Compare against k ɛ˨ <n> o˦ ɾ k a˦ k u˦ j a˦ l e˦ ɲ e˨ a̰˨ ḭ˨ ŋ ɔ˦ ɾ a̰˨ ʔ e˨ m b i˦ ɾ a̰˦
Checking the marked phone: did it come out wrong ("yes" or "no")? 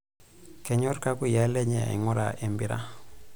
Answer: yes